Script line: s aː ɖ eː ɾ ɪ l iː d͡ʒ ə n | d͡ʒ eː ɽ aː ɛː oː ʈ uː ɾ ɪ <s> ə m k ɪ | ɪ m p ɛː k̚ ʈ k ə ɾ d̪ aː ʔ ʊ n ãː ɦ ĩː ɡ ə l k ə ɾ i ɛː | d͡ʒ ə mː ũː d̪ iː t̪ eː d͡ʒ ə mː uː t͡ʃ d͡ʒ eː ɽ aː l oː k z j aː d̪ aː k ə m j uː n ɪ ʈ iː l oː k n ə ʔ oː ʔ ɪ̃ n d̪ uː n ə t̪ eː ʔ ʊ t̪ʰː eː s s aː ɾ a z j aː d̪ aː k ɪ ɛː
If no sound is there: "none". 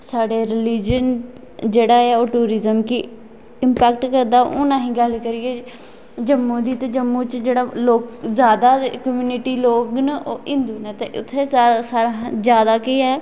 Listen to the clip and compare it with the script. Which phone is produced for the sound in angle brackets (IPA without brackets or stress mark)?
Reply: z